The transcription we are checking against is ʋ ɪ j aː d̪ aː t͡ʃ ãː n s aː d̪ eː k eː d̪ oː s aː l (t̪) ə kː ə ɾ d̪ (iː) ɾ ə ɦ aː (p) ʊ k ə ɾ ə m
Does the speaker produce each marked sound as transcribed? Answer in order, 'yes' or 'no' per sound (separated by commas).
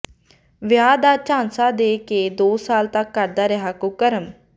yes, no, no